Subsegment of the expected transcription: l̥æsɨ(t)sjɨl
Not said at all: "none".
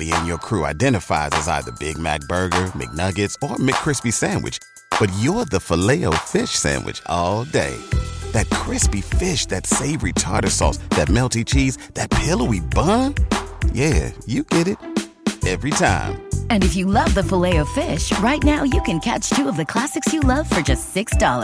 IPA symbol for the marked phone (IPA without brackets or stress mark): k